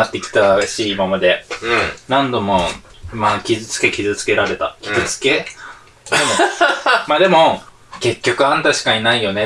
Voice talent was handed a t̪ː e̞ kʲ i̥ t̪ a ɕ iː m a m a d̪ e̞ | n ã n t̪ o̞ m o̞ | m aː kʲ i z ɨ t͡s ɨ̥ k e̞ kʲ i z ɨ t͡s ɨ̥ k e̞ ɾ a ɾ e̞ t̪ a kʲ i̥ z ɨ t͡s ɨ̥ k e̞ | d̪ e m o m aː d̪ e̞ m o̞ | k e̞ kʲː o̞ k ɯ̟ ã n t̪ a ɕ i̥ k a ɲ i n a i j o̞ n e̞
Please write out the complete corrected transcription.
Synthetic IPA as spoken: a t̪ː e̞ kʲ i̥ t̪ a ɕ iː m a m a d̪ e̞ | n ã n d̪ o̞ m o̞ | m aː kʲ i z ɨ t͡s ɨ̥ k e̞ kʲ i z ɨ t͡s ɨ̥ k e̞ ɾ a ɾ e̞ t̪ a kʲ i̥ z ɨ t͡s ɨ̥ k e̞ | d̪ e m o m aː d̪ e̞ m o̞ | k e̞ kʲː o̞ k ɯ̟ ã n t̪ a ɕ i̥ k a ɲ i n a i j o̞ n e̞